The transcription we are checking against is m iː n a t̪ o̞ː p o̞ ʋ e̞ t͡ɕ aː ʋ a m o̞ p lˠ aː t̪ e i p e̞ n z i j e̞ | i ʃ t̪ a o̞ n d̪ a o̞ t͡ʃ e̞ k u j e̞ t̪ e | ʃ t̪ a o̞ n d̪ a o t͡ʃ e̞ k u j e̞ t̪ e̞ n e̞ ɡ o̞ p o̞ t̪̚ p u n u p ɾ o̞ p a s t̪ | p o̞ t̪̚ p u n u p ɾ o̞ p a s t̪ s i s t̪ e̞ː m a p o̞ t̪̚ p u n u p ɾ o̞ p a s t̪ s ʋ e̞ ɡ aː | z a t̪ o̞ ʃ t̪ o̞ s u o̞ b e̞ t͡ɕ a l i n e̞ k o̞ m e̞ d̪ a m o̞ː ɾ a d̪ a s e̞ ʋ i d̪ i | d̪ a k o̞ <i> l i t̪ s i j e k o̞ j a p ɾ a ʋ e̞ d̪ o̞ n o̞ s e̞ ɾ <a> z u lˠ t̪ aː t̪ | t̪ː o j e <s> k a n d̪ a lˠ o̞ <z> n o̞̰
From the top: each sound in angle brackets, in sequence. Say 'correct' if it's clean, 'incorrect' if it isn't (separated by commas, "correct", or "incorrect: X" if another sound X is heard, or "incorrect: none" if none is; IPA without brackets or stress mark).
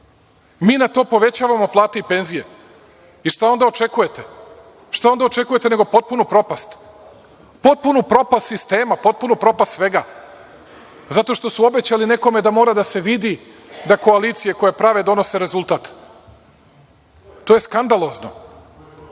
incorrect: a, incorrect: e, correct, correct